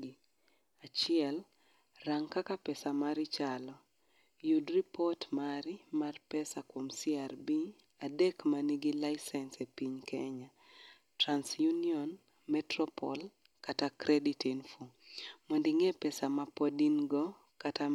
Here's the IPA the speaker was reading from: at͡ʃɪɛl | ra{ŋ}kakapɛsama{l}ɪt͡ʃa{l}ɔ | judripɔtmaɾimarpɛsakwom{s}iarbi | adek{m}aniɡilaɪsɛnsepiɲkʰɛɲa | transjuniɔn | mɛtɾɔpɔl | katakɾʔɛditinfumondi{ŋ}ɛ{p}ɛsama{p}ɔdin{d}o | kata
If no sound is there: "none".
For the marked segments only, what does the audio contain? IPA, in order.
ŋ, ɾ, l, s, m, ŋ, p, p, ɡ

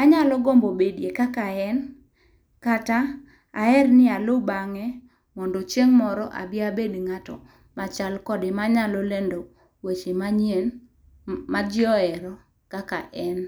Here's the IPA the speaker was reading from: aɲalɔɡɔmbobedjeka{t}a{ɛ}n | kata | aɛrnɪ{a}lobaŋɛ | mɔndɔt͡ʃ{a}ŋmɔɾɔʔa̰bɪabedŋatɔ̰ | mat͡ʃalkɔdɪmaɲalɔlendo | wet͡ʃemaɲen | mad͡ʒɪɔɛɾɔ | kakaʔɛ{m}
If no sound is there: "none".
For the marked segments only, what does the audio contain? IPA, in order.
k, ɛ, a, e, n

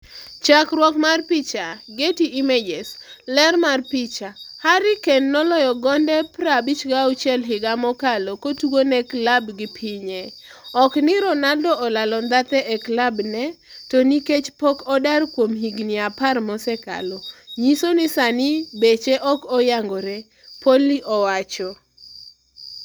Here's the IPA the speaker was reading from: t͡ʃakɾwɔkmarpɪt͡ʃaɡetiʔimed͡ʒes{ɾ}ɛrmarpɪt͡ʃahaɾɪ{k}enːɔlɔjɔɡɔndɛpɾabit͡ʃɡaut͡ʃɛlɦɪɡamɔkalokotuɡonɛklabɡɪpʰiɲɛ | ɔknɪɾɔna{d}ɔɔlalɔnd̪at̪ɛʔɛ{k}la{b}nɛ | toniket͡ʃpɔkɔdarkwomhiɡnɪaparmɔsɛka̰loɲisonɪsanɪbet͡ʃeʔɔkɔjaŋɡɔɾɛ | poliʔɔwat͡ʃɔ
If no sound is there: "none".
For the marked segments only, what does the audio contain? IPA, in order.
l, k, d, k, b

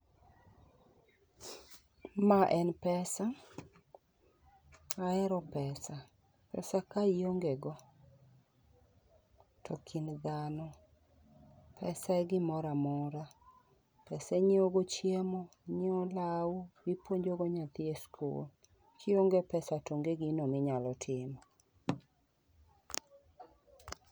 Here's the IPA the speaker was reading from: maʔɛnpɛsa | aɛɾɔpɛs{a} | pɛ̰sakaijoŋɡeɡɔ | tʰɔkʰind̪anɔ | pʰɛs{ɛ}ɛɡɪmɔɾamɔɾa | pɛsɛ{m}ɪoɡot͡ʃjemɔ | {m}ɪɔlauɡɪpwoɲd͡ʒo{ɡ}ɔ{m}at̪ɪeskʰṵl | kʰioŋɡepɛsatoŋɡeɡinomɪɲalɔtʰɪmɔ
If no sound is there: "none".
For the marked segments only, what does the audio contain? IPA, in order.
a, a, ɲ, ɲ, ɡ, ɲ

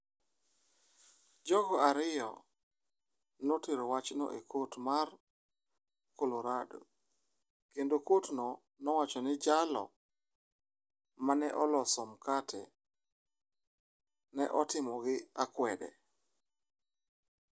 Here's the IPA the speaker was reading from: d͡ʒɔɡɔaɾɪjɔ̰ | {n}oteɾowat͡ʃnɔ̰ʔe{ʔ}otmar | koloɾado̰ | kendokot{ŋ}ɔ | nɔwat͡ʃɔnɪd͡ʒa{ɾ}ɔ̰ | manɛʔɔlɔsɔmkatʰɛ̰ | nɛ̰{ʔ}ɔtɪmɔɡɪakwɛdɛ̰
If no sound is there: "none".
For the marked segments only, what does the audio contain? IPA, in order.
n, k, n, l, ʔ

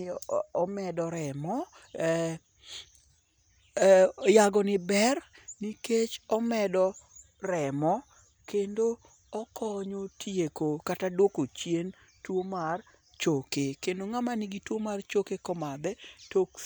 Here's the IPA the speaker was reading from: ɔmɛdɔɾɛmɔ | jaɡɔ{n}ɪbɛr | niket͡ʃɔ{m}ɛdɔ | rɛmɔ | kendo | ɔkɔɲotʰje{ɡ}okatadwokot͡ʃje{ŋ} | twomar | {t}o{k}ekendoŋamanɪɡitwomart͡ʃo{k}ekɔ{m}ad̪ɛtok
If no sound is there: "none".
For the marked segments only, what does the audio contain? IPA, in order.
n, m, k, n, t͡ʃ, k, k, m

